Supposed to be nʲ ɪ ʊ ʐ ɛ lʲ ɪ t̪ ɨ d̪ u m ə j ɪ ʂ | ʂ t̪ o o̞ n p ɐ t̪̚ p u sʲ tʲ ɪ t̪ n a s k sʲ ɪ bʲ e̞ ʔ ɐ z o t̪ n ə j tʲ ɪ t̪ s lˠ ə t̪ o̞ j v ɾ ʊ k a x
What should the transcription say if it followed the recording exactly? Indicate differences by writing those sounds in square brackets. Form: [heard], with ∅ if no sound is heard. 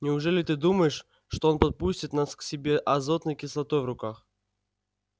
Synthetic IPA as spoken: nʲ ɪ ʊ ʐ ɛ lʲ ɪ t̪ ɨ d̪ u m ə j ɪ ʂ | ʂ t̪ o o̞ n p ɐ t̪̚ p u sʲ tʲ ɪ t̪ n a s k sʲ ɪ bʲ e̞ ʔ ɐ z o t̪ n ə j [kʲ] ɪ [∅] s lˠ [ɐ] t̪ o̞ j v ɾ ʊ k a x